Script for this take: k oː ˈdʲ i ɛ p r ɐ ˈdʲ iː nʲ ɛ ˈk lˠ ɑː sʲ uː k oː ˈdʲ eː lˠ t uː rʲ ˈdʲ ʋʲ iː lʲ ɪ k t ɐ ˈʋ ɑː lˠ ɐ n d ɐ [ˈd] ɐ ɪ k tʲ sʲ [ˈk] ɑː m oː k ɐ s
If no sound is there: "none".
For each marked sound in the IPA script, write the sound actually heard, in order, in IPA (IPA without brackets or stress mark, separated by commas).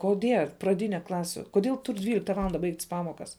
b, p